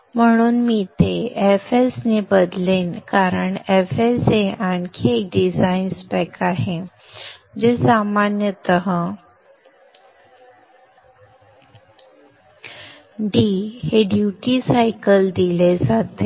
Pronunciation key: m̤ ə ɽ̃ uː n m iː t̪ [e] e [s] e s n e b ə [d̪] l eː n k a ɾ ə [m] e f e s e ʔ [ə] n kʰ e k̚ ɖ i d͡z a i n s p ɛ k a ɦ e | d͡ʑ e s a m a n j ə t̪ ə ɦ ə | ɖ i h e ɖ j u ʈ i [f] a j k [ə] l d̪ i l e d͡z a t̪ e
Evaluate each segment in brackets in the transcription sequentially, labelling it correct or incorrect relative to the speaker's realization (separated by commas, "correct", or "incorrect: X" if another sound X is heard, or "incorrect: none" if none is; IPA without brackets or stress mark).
correct, incorrect: f, correct, incorrect: ɳ, incorrect: a, incorrect: s, correct